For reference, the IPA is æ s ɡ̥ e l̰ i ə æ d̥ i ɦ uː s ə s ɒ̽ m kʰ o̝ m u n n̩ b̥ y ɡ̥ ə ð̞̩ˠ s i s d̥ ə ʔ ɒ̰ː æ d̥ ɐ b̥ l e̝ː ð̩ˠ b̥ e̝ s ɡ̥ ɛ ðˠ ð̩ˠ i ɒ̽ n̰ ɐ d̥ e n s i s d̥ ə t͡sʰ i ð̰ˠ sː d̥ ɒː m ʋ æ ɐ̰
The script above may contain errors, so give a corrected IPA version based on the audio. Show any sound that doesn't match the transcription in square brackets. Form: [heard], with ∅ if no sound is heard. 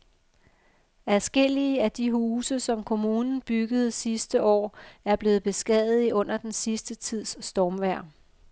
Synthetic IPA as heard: æ s ɡ̥ e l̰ i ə æ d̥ i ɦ uː s ə s ɒ̽ m kʰ o̝ m [uː] n n̩ b̥ y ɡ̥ ə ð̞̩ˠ s i s d̥ ə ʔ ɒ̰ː æ [∅] ɐ b̥ l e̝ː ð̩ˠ b̥ e̝ s ɡ̥ ɛ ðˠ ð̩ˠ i [ɔ̽] n̰ ɐ d̥ e n s i s d̥ ə t͡sʰ i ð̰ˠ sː d̥ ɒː m ʋ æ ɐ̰